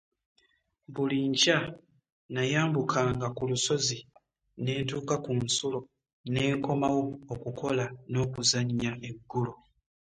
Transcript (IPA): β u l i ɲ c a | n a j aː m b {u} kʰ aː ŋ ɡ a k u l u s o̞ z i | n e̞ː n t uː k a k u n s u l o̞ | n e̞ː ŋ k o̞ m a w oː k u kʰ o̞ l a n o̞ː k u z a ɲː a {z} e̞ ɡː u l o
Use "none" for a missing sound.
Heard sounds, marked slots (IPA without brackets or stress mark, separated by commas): u, none